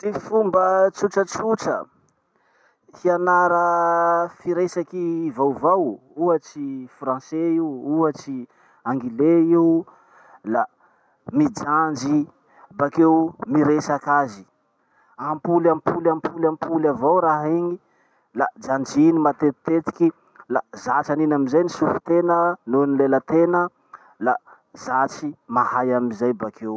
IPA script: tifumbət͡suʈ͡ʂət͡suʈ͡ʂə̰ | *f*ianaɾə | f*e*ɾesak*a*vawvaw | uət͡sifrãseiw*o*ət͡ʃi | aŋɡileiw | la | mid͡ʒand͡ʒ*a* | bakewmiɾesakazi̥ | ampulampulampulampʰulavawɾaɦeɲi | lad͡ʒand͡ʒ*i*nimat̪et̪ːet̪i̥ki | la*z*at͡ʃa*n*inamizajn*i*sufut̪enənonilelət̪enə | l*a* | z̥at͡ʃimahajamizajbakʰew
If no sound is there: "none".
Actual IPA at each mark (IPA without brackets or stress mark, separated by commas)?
h, i, i, u, i, i, z, n, i, a